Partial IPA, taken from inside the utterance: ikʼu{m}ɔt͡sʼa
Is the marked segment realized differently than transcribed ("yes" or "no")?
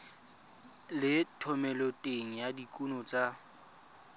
yes